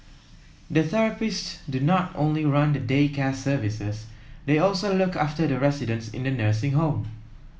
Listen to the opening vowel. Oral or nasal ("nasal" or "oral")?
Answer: oral